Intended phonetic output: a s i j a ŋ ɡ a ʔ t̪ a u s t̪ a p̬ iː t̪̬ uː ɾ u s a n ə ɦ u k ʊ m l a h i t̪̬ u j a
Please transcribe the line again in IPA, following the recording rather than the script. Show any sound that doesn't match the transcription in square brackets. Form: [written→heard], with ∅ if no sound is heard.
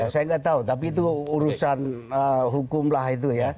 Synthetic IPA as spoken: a s [i→a] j a ŋ ɡ a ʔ t̪ a u [s→∅] t̪ a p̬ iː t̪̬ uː ɾ u s a n ə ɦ u k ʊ m l a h i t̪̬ u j a